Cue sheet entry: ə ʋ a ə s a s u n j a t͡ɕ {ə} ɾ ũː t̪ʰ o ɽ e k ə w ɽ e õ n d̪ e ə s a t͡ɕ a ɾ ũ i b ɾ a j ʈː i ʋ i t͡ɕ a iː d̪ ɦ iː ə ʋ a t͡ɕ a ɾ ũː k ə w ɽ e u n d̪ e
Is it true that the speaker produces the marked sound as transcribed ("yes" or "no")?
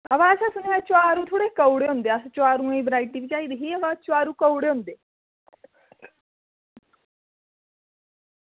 no